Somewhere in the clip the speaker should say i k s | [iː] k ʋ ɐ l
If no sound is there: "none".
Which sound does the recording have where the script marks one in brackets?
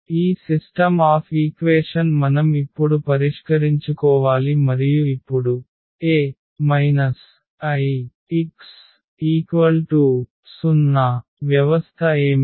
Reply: iː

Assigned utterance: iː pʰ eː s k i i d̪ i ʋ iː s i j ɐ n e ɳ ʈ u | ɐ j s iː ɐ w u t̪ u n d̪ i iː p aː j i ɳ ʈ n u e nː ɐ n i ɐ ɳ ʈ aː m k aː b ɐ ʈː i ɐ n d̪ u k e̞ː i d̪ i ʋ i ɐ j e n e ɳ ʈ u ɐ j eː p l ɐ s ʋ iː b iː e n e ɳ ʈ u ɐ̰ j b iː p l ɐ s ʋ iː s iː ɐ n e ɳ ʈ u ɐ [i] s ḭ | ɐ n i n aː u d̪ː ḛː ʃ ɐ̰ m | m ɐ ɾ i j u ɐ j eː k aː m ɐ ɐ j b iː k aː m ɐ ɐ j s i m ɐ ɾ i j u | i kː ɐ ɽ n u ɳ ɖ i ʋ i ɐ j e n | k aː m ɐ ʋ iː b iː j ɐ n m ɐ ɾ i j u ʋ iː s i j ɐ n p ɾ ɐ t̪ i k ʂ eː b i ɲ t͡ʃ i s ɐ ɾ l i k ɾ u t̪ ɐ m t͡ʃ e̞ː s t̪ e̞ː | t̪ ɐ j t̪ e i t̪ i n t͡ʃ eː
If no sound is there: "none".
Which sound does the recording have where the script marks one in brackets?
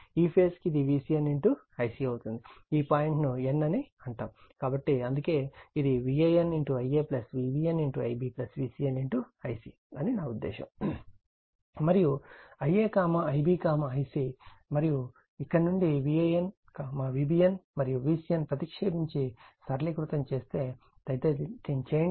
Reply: j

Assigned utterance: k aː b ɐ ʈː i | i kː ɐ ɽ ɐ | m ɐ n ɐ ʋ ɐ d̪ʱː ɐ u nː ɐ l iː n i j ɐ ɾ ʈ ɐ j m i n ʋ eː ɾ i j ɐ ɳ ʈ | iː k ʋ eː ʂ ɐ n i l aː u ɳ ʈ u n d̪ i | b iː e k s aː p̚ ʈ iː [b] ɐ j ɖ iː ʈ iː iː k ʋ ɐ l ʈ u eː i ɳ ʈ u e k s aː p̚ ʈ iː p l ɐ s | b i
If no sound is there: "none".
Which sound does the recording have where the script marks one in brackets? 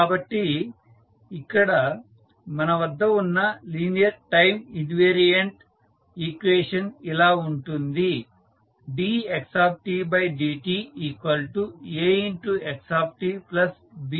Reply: b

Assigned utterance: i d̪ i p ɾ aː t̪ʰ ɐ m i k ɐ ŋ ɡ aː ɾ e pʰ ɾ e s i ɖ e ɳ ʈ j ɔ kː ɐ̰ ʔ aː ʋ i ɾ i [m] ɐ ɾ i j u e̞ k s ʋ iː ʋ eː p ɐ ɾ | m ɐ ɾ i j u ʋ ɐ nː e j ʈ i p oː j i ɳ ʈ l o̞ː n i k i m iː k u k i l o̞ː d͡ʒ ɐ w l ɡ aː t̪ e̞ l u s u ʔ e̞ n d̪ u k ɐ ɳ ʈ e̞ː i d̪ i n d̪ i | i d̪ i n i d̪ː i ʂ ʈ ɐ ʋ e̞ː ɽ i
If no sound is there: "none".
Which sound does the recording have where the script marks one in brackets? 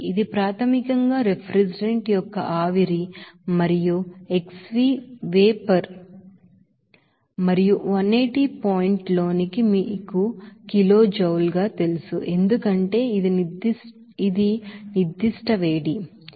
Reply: m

